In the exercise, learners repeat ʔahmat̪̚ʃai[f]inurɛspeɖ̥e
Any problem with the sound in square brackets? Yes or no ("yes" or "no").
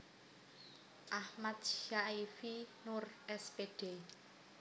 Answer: no